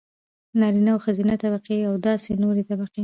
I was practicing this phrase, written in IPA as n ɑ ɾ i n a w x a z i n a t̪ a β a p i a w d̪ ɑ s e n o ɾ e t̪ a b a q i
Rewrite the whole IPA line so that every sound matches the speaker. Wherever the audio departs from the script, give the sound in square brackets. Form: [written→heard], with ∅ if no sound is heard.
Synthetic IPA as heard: n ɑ ɾ i n a w x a z i n a t̪ a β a [p→q] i a w d̪ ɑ s e n o ɾ e t̪ a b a q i

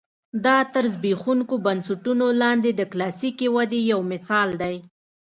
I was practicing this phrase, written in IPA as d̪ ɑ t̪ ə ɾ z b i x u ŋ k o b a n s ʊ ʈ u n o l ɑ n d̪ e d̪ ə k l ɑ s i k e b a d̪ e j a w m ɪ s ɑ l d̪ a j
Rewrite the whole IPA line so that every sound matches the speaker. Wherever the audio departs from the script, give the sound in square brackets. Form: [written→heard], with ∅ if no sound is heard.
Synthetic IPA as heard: d̪ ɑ t̪ ə ɾ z b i x u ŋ k o b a n s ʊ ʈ u n o l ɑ n d̪ e d̪ ə k l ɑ s i k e [b→w] a d̪ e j a w m ɪ s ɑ l d̪ a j

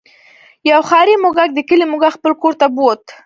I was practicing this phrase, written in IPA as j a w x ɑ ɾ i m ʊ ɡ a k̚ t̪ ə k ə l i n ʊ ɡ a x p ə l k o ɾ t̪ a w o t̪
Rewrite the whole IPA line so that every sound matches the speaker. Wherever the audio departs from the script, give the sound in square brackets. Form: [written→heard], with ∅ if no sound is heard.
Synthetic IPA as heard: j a w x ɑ ɾ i m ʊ ɡ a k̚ [t̪→d̪] ə k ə l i [n→m] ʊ ɡ a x p ə l k o ɾ t̪ a [w→b] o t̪

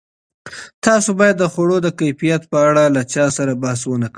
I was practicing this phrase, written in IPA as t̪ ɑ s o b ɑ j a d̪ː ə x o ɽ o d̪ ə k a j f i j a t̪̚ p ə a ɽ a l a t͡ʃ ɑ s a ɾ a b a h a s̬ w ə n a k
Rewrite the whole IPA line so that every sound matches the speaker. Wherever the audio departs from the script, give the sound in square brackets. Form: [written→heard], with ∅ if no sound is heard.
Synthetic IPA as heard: t̪ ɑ s o b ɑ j a d̪ː ə x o ɽ o d̪ ə k a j f i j a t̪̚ p ə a ɽ a l a t͡ʃ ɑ s a ɾ a b a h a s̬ w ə n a k

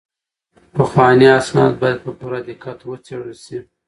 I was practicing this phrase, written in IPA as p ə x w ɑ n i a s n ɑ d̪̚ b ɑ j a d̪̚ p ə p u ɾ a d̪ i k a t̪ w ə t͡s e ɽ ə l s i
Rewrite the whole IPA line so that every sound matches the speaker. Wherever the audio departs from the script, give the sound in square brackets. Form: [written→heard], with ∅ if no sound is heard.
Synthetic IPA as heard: p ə x w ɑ n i a s n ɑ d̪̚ b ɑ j a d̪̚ p ə p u ɾ a d̪ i k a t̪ w ə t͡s e ɽ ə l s i

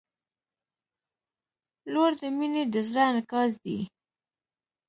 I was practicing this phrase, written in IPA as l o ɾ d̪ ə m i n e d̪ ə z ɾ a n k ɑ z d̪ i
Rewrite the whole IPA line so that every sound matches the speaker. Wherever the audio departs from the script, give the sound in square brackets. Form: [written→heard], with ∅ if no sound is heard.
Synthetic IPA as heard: l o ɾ d̪ ə m i n e d̪ ə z ɾ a n k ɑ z d̪ i

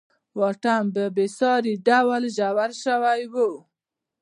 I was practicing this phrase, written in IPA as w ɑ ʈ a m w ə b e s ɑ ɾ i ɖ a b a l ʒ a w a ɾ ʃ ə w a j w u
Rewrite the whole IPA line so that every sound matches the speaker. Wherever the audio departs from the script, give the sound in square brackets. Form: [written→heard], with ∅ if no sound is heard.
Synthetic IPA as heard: w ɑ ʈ a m [w→b] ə b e s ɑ ɾ i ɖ a [b→w] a l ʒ a w a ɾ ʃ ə w a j w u

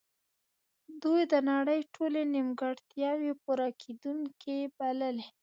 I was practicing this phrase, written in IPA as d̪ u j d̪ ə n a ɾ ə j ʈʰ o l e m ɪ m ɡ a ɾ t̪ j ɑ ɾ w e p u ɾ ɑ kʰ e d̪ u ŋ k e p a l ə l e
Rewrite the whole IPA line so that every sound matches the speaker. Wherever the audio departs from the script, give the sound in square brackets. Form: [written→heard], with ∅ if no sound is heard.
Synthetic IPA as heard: d̪ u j d̪ ə n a [ɾ→ɽ] ə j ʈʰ o l e [m→n] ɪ m ɡ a [ɾ→ɽ] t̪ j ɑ [ɾ→∅] w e p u ɾ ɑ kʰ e d̪ u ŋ k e [p→b] a l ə l e

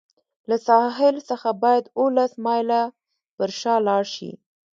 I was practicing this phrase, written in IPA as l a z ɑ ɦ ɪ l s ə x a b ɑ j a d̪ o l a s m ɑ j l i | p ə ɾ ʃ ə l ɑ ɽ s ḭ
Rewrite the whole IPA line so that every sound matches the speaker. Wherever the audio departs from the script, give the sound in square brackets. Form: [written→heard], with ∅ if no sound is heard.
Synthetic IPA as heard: l a [z→s] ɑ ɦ ɪ l s ə x a b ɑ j a d̪ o l a s m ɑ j l [i→a] | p ə ɾ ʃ [ə→ɑ] l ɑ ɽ [s→ʃ] ḭ

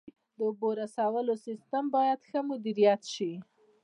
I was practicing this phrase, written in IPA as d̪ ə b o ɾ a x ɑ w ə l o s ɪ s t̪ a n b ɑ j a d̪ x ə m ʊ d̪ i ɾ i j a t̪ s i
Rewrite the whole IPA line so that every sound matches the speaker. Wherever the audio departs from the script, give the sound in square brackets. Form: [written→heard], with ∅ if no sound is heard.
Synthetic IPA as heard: d̪ ə b o ɾ a [x→s] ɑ w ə l o s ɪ s t̪ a [n→m] b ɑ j a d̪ x ə m ʊ d̪ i ɾ i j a t̪ [s→ʃ] i

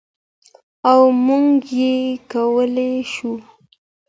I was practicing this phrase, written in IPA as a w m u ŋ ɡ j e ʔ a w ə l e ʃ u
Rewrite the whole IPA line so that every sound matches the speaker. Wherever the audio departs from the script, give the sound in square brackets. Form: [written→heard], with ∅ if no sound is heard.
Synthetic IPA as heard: a w m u ŋ ɡ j e [ʔ→k] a w ə l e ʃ u

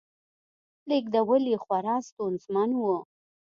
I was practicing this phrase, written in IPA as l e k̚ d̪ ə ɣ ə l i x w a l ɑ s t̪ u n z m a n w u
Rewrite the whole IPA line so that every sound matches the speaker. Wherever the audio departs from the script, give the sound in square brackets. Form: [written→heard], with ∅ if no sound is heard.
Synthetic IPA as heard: l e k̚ d̪ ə [ɣ→w] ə l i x w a [l→ɾ] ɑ s t̪ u n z m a n w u

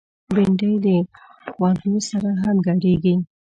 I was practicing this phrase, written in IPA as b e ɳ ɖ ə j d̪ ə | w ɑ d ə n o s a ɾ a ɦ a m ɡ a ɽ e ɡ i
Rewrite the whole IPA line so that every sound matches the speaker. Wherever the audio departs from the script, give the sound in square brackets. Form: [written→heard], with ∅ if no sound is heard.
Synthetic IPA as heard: b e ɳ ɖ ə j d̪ ə | w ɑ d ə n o s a ɾ a ɦ a m ɡ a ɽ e ɡ i

